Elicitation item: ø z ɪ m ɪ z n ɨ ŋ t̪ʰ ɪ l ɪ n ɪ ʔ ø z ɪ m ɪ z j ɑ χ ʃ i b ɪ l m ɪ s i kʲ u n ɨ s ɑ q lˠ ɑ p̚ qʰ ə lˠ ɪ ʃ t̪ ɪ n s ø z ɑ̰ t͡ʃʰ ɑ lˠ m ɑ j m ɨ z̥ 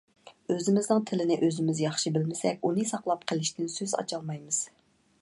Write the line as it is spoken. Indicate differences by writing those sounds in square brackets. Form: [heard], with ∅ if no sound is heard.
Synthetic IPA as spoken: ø z ɪ m ɪ z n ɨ ŋ t̪ʰ ɪ l ɪ n ɪ ʔ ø z ɪ m ɪ z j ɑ χ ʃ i b ɪ l m ɪ s [ɛ] kʲ u n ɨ s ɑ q lˠ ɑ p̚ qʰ ə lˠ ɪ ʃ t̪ ɪ n s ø z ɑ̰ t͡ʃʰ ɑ lˠ m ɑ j m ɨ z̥